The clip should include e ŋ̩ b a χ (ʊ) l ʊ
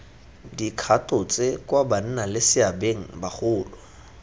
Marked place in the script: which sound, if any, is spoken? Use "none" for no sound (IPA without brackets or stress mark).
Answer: ʊː